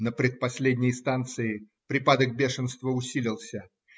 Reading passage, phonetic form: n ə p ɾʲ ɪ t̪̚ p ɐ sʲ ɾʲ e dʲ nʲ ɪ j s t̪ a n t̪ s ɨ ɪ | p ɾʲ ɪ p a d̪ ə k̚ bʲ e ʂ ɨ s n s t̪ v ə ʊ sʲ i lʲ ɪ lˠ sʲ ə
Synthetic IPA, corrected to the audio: n ə p ɾʲ ɪ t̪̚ p ɐ sʲ lʲ e dʲ nʲ ɪ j s t̪ a n t̪ s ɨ ɪ | p ɾʲ ɪ p a d̪ ə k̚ bʲ e ʂ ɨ n s t̪ v ə ʊ sʲ i lʲ ɪ lˠ sʲ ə